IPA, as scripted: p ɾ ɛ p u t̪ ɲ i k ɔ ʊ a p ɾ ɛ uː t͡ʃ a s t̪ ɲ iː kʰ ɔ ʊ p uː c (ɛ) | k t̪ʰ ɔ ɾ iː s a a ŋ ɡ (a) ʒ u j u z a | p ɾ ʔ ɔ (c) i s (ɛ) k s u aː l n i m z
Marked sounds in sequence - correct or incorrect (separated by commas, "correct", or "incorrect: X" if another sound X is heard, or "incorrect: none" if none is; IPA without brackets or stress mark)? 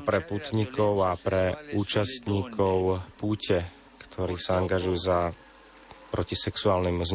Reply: correct, correct, correct, correct